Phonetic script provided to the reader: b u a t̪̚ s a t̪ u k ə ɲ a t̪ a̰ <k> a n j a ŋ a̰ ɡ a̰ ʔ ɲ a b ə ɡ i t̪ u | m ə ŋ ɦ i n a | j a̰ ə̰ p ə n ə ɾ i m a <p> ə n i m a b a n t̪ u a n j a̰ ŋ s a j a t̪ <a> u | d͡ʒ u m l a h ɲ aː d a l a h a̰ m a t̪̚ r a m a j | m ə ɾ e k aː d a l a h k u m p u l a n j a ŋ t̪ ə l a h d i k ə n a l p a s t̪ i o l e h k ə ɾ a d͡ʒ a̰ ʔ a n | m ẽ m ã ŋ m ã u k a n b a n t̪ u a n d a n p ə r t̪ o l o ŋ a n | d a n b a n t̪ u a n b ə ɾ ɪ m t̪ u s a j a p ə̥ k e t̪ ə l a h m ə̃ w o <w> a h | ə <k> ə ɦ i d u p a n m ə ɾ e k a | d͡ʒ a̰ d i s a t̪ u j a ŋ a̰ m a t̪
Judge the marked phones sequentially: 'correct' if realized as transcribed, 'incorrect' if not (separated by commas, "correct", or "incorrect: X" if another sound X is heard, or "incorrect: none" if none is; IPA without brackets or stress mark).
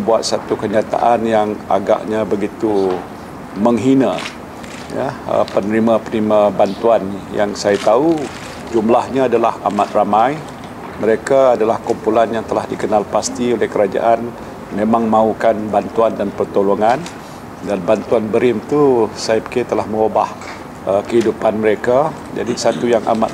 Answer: incorrect: ʔ, correct, correct, incorrect: b, correct